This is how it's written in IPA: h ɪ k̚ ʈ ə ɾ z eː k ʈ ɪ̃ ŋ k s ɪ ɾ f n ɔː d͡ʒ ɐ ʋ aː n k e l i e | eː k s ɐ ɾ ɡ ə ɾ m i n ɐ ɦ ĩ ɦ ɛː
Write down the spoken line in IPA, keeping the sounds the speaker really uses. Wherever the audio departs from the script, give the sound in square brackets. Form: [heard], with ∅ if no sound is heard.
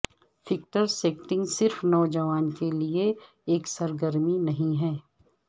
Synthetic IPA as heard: [f] ɪ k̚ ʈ ə ɾ [s] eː k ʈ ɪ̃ ŋ [ɡ] s ɪ ɾ f n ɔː d͡ʒ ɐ ʋ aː n k e l i e | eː k s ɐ ɾ ɡ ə ɾ m i n ɐ ɦ ĩ ɦ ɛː

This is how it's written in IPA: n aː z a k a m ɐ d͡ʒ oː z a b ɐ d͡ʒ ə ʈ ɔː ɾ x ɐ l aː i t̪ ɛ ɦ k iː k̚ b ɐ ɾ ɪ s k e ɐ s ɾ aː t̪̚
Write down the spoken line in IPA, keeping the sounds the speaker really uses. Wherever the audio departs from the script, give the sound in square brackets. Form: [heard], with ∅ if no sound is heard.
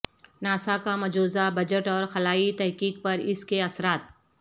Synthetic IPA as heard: n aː [s] a k a m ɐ d͡ʒ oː z a b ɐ d͡ʒ ə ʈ ɔː ɾ x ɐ l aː i t̪ ɛ ɦ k iː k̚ [p] ɐ ɾ ɪ s k e ɐ s ɾ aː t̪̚

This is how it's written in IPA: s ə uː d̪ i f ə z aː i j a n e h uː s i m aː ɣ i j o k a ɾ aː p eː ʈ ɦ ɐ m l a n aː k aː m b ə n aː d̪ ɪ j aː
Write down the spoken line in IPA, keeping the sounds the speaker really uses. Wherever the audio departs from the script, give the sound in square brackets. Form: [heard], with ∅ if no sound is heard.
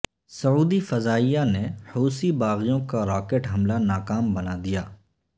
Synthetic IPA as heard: s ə uː d̪ i f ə z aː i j a n e h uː s i [b] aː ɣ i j [õ] k a ɾ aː [k] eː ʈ ɦ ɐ m l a n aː k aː m b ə n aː d̪ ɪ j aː

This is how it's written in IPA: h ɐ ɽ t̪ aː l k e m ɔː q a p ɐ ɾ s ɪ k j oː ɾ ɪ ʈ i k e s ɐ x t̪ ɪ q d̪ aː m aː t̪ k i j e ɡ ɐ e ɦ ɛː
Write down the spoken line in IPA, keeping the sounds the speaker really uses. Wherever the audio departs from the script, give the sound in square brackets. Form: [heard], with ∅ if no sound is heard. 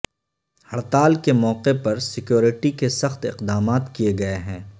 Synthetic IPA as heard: h ɐ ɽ t̪ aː l k e m ɔː q [e] p ɐ ɾ s ɪ k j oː ɾ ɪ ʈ i k e s ɐ x t̪ ɪ q d̪ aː m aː t̪ k i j e ɡ ɐ e ɦ [ɛ̃ː]

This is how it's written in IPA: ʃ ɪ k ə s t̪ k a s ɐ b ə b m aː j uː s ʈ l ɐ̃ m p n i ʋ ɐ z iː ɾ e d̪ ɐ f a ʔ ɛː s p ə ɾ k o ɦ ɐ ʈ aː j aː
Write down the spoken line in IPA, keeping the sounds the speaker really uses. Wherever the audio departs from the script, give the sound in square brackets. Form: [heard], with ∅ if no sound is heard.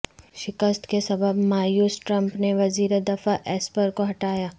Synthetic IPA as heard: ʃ ɪ k ə s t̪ k [e] s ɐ b ə b m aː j uː s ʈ [ɾ] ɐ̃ m p n [e] ʋ ɐ z iː ɾ e d̪ ɐ f a ʔ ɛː s p ə ɾ k o ɦ ɐ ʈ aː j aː

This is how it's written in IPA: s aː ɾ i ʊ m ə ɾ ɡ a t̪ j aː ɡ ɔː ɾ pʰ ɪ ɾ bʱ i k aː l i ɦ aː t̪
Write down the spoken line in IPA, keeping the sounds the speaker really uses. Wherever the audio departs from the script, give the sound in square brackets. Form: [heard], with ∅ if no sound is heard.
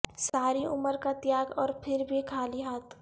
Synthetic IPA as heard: s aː ɾ i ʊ m ə ɾ [k] a t̪ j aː ɡ ɔː ɾ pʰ ɪ ɾ bʱ i [kʰ] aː l i ɦ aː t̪

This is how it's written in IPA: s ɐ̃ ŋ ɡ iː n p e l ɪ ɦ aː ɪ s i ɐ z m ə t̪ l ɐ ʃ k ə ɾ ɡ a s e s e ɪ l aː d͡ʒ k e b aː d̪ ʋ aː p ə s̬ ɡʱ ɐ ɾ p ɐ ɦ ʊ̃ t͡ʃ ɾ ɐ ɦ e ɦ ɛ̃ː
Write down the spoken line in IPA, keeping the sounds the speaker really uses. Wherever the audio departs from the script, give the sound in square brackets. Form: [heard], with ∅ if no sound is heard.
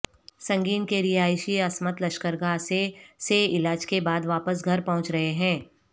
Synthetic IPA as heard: s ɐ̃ ŋ ɡ iː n [k] e [ɾ] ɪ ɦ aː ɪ [ʃ] i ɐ [s] m ə t̪ l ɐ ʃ k ə ɾ ɡ a s e s e ɪ l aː d͡ʒ k e b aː d̪ ʋ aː p ə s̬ ɡʱ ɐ ɾ p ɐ ɦ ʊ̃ t͡ʃ ɾ ɐ ɦ e ɦ ɛ̃ː

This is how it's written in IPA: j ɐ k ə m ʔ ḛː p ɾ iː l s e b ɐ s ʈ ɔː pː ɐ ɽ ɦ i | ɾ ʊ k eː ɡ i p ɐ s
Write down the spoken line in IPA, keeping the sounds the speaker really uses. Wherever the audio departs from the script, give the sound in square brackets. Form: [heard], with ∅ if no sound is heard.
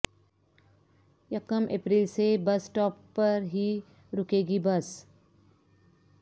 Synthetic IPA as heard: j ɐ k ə m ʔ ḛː p ɾ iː l s e b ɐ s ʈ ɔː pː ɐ [ɾ] ɦ i | ɾ ʊ k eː ɡ i [b] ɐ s

